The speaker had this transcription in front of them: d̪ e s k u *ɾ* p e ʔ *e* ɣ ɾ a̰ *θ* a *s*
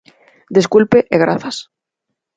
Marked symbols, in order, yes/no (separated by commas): no, yes, yes, yes